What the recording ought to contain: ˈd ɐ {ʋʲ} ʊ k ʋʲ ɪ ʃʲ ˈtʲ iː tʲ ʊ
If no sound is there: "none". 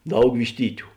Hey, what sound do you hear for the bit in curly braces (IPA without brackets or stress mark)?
none